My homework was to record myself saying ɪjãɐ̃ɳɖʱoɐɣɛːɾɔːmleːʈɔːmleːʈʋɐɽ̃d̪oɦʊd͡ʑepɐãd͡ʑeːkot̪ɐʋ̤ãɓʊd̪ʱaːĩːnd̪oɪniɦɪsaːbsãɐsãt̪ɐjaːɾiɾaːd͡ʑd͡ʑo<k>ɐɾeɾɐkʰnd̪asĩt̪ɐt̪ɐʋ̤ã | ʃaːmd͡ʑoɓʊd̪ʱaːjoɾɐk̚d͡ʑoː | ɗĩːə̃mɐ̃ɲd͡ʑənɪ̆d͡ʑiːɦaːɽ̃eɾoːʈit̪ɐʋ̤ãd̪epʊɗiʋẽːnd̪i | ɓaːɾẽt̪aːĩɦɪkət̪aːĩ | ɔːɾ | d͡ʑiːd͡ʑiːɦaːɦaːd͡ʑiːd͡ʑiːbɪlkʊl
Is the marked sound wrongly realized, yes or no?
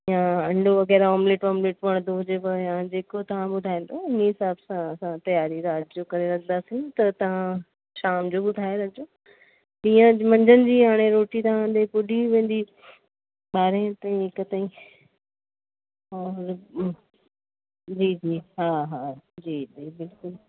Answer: no